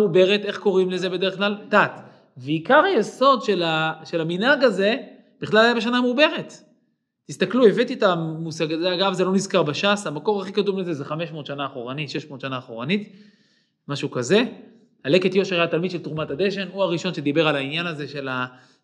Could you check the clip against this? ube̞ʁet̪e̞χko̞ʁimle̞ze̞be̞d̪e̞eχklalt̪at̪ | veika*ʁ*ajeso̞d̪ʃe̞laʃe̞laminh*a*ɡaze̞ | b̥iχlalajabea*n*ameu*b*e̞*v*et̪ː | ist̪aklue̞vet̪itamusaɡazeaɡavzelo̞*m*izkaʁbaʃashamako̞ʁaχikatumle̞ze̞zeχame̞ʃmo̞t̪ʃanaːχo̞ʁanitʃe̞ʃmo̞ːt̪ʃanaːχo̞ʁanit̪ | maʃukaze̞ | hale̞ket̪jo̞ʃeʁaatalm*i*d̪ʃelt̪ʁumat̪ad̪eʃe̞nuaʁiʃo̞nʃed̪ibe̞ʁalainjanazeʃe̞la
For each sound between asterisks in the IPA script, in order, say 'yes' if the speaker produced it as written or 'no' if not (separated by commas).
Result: yes, yes, yes, yes, no, no, yes